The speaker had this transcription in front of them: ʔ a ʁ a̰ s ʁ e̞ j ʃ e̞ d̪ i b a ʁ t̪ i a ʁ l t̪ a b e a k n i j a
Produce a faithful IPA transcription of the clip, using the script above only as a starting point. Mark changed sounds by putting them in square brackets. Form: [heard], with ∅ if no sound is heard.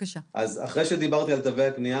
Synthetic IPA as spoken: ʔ a [z] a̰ [χ] ʁ e̞ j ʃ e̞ d̪ i b a ʁ t̪ i a [∅] l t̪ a [v] e a k n i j a